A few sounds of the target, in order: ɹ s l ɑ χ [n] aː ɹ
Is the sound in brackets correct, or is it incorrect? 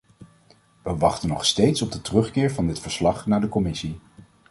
correct